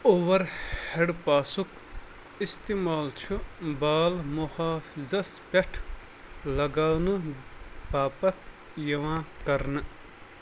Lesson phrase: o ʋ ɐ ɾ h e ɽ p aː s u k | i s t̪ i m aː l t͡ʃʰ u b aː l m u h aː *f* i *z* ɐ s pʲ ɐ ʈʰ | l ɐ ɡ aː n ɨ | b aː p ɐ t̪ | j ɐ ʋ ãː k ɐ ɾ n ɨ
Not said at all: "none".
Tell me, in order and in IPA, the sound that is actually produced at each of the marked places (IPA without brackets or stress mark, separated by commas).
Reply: f, z